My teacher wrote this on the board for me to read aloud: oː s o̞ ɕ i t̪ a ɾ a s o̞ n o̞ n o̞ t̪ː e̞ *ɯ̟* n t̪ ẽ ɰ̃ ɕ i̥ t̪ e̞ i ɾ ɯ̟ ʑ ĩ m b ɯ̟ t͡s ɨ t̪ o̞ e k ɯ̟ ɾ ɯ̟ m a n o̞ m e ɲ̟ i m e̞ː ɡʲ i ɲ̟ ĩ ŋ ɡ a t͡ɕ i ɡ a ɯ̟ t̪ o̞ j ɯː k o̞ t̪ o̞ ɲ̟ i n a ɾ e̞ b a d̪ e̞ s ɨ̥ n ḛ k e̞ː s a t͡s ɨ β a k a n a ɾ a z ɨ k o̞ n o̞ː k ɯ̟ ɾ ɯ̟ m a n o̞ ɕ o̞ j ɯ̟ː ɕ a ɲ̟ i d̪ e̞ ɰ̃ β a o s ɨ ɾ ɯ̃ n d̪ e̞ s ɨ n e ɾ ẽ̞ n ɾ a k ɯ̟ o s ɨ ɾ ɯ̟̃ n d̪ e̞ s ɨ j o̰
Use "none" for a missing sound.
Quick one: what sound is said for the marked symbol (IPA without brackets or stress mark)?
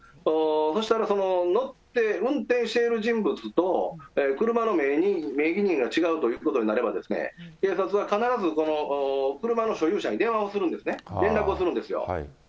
ɯ̟̃